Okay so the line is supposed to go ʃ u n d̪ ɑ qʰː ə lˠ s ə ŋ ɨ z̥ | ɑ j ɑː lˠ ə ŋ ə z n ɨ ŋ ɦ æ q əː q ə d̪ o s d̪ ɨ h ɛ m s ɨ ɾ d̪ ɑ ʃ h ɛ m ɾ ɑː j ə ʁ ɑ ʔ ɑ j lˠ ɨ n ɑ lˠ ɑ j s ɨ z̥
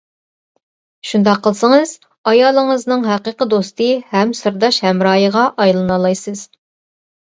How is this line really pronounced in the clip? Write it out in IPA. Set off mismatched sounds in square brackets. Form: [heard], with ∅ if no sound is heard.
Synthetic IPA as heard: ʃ u n d̪ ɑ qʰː ə lˠ s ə ŋ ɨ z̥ | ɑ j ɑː lˠ ə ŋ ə z n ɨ ŋ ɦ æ q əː q ə d̪ o s [t̪] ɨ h ɛ m s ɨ ɾ d̪ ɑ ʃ h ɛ m ɾ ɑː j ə ʁ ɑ ʔ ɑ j lˠ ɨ n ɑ lˠ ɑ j s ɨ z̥